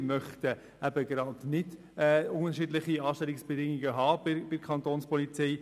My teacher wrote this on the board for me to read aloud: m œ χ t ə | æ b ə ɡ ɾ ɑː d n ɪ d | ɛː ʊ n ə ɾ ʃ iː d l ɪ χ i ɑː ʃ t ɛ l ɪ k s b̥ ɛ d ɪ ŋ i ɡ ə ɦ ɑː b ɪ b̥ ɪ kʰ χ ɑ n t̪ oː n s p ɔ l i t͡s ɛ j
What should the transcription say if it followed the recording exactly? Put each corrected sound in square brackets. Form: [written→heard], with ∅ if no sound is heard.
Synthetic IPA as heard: m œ χ t ə | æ b ə ɡ ɾ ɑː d n ɪ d | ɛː ʊ n ə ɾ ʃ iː d l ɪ χ i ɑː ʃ t ɛ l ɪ k s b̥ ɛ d ɪ ŋ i ɡ ə ɦ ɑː b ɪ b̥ ɪ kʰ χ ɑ n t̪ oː n s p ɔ l i t͡s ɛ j